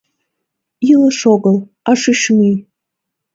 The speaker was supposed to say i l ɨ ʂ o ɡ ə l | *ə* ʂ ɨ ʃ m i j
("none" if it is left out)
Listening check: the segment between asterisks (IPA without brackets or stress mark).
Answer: a